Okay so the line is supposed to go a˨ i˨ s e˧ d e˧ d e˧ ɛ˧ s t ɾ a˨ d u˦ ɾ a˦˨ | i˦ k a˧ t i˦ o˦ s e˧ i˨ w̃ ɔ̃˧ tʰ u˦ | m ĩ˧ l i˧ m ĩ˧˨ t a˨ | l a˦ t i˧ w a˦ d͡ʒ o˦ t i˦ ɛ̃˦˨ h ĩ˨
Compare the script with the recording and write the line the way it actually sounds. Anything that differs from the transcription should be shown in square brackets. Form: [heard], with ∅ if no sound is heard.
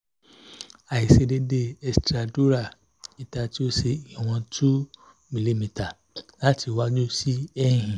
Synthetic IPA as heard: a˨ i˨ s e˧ d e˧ d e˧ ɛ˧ s t ɾ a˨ d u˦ ɾ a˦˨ | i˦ [t] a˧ t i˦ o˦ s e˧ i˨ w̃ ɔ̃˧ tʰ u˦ | m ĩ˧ l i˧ m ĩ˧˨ t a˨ | l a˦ t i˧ w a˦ d͡ʒ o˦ [s] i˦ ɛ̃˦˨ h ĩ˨